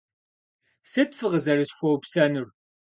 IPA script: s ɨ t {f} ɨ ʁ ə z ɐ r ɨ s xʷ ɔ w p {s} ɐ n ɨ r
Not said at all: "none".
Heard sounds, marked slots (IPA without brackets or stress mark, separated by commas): f, s